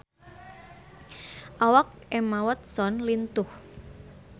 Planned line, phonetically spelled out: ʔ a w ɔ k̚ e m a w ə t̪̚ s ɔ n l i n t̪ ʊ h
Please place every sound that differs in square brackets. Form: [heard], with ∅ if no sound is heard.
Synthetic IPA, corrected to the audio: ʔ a w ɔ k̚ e m a w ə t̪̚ s ɔ n l i n t̪ ʊ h